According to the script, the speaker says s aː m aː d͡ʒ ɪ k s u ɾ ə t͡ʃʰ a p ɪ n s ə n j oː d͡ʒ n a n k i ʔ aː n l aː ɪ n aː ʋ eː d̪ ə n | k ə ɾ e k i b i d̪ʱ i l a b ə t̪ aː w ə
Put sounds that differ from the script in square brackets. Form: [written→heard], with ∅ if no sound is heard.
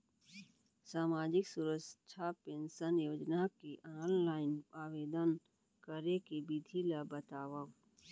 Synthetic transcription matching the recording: s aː m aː d͡ʒ ɪ k s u ɾ ə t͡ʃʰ a p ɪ n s ə n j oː d͡ʒ n a [n→∅] k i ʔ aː n l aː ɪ n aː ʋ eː d̪ ə n | k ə ɾ e k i b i d̪ʱ i l a b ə t̪ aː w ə

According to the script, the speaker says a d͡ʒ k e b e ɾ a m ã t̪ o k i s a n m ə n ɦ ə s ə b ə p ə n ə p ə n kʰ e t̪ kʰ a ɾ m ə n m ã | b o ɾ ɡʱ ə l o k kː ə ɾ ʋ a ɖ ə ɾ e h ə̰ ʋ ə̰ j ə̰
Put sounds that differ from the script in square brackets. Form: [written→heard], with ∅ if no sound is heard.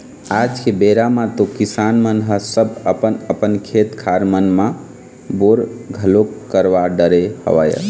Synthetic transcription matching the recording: a d͡ʒ k e b e ɾ a m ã t̪ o k i s a n m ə n ɦ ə s ə b ə p ə n ə p ə n kʰ e t̪ kʰ a ɾ m ə n m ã | b o ɾ ɡʱ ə l o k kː ə ɾ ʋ a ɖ ə ɾ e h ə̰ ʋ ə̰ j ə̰

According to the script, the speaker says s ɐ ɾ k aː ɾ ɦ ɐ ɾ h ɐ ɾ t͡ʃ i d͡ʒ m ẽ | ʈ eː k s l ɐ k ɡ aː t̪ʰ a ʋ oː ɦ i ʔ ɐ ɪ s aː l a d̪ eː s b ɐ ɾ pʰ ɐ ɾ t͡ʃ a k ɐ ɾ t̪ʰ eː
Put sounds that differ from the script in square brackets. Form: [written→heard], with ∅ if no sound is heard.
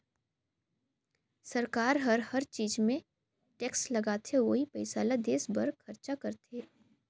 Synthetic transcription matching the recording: s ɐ ɾ k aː ɾ ɦ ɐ ɾ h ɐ ɾ t͡ʃ [i→iː] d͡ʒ m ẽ | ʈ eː k s l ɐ [k→∅] ɡ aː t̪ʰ [a→e] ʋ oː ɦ i [ʔ→p] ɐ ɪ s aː l a d̪ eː s b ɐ ɾ [pʰ→kʰ] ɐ ɾ t͡ʃ a k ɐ ɾ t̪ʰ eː

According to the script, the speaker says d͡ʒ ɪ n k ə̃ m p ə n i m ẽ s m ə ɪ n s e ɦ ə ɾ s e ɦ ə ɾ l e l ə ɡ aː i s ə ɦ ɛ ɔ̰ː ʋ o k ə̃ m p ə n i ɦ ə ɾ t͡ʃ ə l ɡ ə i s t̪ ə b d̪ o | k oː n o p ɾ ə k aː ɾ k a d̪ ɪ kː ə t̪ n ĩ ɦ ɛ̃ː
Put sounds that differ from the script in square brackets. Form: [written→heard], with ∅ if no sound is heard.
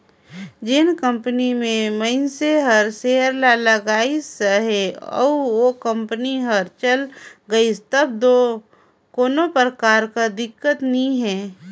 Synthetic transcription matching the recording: d͡ʒ ɪ n k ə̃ m p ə n i m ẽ [s→∅] m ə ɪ n s e ɦ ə ɾ s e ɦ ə ɾ l [e→a] l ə ɡ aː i s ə ɦ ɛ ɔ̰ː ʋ o k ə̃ m p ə n i ɦ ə ɾ t͡ʃ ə l ɡ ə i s t̪ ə b d̪ o | k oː n o p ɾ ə k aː ɾ k a d̪ ɪ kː ə t̪ n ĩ ɦ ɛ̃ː

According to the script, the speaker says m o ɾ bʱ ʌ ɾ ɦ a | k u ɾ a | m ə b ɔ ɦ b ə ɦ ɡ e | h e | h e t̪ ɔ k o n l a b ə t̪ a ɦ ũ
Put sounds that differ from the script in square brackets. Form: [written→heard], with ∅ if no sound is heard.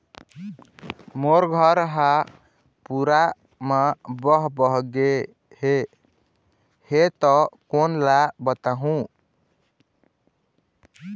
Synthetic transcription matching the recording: m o ɾ [bʱ→ɡʱ] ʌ ɾ ɦ a | [k→p] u ɾ a | m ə b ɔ ɦ b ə ɦ ɡ e | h e | h e t̪ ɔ k o n l a b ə t̪ a ɦ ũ

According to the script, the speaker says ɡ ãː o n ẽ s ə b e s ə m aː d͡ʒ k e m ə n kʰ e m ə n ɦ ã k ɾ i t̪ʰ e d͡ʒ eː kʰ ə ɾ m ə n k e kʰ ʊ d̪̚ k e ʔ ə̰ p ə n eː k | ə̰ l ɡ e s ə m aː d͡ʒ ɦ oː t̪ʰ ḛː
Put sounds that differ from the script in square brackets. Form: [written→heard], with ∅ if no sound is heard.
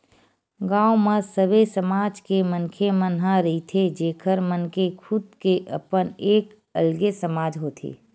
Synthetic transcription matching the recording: ɡ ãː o [n→m] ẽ s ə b e s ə m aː d͡ʒ k e m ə n kʰ e m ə n ɦ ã [k→∅] ɾ i t̪ʰ e d͡ʒ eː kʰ ə ɾ m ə n k e kʰ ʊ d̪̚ k e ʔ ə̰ p ə n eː k | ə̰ l ɡ e s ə m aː d͡ʒ ɦ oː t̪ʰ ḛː

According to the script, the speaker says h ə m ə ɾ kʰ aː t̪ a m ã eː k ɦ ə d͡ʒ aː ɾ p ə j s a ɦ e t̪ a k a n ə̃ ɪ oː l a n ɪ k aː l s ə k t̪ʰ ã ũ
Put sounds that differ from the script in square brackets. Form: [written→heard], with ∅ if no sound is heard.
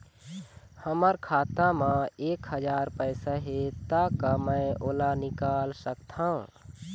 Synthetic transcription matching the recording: h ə m ə ɾ kʰ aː t̪ a m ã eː k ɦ ə d͡ʒ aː ɾ p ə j s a ɦ e t̪ a k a [n→m] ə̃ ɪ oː l a n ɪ k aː l s ə k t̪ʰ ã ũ

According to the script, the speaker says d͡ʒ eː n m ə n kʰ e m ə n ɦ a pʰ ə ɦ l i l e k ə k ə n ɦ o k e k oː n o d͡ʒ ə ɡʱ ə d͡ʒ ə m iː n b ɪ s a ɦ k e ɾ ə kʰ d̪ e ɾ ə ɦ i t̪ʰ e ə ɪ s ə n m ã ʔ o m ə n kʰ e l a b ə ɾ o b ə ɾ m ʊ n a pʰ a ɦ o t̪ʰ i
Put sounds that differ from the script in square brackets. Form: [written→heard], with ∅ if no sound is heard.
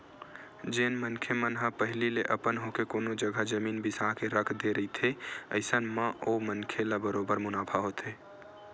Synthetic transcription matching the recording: d͡ʒ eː n m ə n kʰ e m ə n ɦ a [pʰ→p] ə ɦ l i l e [k→ʔ] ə [k→p] ə n ɦ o k e k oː n o d͡ʒ ə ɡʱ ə d͡ʒ ə m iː n b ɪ s a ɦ k e ɾ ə kʰ d̪ e ɾ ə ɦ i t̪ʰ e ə ɪ s ə n m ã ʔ o m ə n kʰ e l a b ə ɾ o b ə ɾ m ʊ n a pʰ a ɦ o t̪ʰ [i→e]

